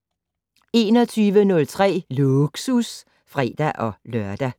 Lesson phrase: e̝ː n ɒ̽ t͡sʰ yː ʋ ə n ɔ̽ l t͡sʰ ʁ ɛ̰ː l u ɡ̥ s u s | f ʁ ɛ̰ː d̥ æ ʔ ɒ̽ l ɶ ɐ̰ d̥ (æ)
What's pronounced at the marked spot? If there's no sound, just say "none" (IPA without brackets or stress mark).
æ